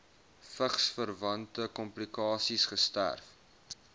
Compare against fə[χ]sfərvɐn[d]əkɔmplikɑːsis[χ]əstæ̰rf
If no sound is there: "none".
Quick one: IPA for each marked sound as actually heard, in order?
χ, t, χ

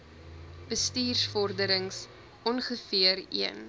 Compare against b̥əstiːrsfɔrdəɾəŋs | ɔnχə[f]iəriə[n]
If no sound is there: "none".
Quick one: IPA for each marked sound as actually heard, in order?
f, n

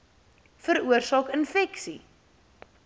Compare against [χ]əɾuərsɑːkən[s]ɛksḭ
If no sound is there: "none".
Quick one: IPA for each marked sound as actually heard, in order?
f, f

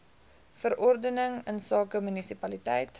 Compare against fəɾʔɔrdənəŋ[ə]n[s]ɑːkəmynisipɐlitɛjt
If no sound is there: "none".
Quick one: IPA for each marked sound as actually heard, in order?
ə, s

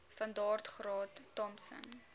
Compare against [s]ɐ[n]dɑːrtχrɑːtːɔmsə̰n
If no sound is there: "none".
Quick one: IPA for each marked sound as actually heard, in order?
s, n

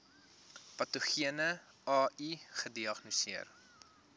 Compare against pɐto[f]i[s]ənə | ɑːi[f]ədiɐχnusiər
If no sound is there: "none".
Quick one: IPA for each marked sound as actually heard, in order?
χ, none, χ

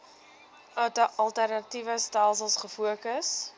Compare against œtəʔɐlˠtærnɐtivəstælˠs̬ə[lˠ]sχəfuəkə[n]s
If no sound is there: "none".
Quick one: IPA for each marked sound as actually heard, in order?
lˠ, none

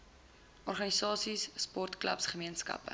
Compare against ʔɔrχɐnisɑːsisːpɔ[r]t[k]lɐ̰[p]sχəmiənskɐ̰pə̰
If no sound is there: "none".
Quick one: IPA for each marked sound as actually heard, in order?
r, k, p

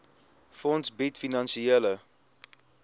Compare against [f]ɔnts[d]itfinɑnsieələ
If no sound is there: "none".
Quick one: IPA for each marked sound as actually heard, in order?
f, b

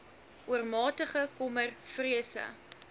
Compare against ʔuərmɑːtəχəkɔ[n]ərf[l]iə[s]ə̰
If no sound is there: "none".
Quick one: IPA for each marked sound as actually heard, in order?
m, r, s

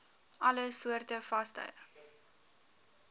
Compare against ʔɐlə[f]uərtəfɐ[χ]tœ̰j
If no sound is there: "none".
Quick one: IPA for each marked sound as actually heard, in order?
s, s

